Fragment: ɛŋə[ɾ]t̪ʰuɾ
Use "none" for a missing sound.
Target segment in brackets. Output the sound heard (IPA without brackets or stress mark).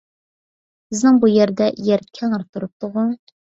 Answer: ɾ